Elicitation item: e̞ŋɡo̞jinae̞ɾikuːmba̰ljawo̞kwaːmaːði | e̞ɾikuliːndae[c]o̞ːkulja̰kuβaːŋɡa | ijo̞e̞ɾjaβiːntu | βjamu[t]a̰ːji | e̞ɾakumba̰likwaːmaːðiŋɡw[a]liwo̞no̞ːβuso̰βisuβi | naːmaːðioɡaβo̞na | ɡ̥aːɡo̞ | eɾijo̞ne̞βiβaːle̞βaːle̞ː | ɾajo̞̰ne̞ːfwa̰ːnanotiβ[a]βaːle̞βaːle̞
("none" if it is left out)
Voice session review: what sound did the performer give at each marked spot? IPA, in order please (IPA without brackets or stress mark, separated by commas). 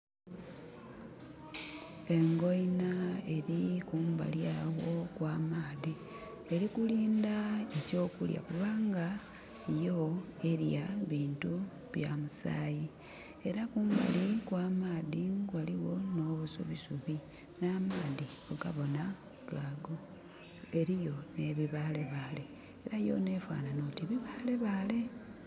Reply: c, s, a, i